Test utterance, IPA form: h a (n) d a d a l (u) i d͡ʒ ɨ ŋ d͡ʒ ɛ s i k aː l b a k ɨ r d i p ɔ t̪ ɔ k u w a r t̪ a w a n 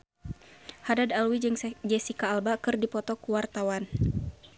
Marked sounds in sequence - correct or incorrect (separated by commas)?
incorrect, incorrect